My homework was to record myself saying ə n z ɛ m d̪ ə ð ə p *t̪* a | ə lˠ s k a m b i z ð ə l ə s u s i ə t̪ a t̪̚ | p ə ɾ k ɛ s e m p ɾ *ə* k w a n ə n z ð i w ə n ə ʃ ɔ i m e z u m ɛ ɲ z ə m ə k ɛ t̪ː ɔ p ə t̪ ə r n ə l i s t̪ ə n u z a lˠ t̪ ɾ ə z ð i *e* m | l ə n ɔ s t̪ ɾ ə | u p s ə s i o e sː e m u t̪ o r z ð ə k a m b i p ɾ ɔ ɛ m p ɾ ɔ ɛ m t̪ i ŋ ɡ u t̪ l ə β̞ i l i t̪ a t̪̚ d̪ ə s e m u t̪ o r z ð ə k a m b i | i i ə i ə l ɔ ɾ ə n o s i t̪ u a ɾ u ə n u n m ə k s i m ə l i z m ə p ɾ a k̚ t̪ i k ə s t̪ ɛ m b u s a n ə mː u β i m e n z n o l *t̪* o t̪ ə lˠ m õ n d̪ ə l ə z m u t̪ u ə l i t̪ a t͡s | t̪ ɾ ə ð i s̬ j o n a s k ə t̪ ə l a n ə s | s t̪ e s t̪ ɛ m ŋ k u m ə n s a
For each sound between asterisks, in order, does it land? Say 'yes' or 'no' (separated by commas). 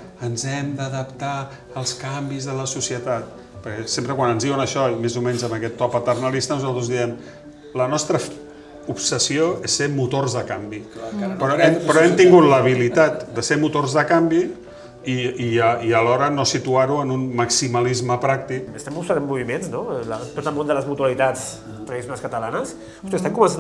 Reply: yes, yes, no, yes